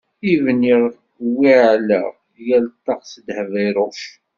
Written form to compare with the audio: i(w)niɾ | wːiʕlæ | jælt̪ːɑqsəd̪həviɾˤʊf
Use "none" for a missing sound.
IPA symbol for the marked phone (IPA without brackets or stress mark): v